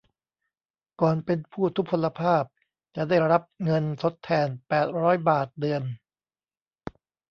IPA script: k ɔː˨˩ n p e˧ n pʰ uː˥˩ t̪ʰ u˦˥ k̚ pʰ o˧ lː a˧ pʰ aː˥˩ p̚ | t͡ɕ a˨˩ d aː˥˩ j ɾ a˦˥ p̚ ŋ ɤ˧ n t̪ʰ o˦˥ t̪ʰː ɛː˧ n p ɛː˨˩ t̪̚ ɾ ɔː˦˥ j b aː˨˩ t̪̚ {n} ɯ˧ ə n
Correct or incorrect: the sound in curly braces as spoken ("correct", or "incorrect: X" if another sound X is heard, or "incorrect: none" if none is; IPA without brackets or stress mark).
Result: incorrect: d